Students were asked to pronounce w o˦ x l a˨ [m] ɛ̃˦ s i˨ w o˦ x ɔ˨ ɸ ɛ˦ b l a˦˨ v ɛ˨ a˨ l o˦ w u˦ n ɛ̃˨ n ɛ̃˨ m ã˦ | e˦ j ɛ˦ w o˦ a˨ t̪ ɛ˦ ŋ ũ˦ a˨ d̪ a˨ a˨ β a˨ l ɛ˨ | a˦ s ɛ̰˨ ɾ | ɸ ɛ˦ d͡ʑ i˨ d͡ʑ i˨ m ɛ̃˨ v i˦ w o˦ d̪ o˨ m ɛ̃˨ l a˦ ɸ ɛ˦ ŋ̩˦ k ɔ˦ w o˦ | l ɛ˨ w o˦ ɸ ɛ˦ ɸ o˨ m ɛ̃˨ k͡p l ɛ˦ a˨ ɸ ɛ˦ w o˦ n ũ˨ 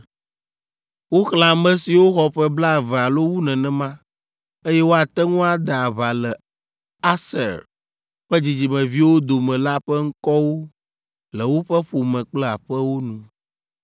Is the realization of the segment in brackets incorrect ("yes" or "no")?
no